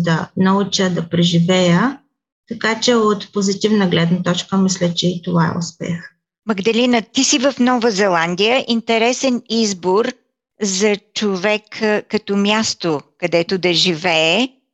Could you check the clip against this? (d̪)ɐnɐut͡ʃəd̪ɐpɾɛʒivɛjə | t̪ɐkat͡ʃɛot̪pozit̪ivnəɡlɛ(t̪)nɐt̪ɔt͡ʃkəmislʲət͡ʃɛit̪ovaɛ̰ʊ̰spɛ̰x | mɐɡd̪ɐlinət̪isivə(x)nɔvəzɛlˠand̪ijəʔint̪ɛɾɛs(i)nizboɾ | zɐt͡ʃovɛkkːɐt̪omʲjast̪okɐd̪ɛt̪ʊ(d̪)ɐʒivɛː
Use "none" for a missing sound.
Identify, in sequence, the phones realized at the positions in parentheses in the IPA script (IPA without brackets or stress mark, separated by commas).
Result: d̪, d̪, f, ɛ, d̪